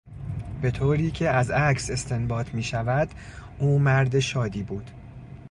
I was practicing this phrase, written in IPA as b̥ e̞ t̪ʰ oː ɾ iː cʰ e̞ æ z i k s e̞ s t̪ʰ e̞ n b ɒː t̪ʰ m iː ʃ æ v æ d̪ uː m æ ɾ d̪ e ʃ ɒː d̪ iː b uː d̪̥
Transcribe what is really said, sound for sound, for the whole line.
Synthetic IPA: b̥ e̞ t̪ʰ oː ɾ iː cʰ e̞ æ z æ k s e̞ s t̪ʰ e̞ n b ɒː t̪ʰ m iː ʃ æ v æ d̪ uː m æ ɾ d̪ e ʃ ɒː d̪ iː b uː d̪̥